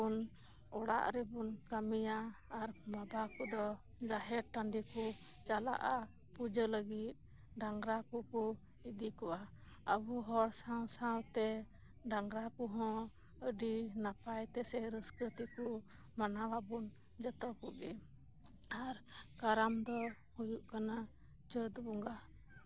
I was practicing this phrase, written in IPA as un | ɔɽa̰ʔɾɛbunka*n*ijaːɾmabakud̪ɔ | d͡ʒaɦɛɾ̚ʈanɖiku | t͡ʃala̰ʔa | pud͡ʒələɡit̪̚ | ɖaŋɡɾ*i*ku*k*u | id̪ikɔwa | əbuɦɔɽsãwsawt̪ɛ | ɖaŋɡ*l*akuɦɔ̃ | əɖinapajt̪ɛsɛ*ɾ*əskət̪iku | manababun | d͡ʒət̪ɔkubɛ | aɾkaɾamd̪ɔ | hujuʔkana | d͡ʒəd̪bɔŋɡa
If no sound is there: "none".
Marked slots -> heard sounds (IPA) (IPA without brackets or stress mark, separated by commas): m, a, k, ɾ, ɾ